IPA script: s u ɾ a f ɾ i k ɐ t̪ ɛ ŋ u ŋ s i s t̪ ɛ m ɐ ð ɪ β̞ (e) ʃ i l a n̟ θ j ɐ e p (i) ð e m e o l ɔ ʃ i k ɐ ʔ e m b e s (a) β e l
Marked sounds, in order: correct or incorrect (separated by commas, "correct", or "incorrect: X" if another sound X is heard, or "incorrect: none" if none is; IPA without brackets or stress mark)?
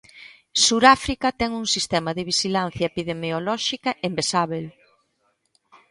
incorrect: i, correct, correct